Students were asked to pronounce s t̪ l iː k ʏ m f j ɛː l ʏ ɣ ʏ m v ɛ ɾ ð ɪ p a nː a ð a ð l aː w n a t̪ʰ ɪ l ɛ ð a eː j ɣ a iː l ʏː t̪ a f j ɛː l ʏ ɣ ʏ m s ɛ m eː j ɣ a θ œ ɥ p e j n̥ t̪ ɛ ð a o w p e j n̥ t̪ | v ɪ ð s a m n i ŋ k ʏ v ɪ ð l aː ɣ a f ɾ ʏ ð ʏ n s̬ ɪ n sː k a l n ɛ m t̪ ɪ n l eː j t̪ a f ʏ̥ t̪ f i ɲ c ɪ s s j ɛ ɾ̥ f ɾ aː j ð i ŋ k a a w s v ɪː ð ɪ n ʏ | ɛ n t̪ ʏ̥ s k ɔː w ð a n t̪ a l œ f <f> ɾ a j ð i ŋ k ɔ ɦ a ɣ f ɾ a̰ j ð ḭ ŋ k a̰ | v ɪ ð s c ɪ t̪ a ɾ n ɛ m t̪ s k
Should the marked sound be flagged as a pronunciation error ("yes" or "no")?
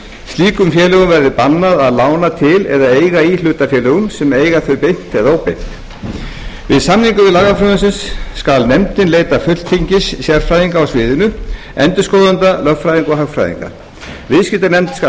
no